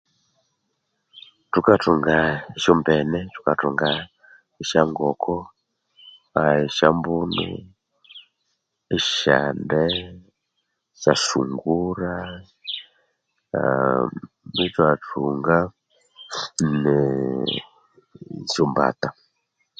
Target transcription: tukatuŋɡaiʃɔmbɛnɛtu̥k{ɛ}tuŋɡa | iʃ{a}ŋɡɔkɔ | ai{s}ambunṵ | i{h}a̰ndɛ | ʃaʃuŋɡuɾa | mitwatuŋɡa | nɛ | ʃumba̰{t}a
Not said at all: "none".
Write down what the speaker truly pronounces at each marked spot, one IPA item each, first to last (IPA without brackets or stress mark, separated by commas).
a, a, ʃ, ʃ, t